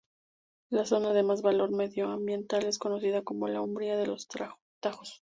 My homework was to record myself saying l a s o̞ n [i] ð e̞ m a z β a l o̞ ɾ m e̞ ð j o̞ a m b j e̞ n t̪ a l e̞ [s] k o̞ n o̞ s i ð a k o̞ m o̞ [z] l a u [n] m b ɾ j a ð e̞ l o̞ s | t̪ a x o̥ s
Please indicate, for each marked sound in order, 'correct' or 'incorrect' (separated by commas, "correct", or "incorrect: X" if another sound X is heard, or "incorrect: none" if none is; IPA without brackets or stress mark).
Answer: incorrect: a, correct, incorrect: none, incorrect: none